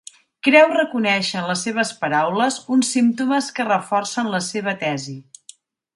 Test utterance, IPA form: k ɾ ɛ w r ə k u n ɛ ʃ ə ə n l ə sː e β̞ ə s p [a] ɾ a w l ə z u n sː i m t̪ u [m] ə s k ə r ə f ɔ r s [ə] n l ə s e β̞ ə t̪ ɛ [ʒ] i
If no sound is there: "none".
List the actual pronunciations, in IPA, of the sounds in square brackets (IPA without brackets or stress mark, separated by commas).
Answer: ə, m, ə, z